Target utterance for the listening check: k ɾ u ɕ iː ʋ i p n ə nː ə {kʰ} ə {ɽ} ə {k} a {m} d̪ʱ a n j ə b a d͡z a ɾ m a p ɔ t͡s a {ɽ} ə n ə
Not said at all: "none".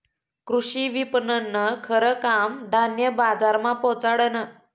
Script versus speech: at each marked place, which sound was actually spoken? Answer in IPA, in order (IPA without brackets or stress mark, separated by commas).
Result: kʰ, ɾ, k, m, ɽ